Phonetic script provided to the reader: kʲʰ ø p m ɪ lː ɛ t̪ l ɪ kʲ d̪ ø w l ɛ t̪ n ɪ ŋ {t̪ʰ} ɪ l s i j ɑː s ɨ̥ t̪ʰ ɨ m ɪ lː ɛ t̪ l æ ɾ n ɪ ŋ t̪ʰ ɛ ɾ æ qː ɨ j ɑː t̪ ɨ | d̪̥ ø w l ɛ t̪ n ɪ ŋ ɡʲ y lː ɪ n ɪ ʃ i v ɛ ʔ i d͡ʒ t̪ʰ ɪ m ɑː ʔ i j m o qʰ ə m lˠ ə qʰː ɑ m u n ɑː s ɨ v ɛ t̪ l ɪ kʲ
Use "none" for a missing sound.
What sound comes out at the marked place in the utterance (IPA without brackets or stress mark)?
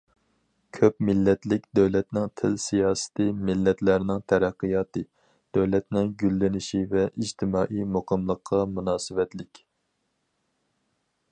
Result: t̪ʰ